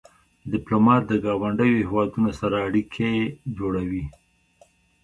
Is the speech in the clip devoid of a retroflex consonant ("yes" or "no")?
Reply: no